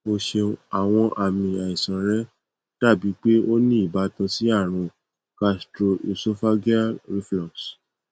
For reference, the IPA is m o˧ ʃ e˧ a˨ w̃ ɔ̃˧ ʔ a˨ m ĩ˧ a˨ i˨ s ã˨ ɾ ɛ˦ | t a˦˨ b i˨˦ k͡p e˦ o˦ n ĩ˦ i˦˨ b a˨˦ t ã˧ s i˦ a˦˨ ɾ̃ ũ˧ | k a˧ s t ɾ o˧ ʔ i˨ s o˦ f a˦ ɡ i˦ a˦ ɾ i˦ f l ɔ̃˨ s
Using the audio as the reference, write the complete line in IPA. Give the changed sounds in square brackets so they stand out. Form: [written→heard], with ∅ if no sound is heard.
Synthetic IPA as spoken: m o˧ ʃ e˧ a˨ w̃ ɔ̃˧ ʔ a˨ m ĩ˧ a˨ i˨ s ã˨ ɾ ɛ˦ | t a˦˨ b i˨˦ k͡p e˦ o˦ n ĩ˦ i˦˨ b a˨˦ t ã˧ s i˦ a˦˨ ɾ̃ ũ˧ | k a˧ s t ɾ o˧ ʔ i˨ s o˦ f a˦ ɡ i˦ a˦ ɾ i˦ f l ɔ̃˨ s